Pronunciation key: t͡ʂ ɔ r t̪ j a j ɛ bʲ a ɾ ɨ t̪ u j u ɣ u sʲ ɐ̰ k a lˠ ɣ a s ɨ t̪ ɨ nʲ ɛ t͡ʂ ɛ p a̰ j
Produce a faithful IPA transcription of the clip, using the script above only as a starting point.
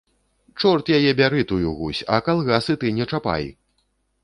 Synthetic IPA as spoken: t͡ʂ ɔ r t̪ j a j ɛ bʲ a ɾ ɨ t̪ u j u ɣ u sʲ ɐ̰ k a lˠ ɣ a s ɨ t̪ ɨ nʲ ɛ t͡ʂ a p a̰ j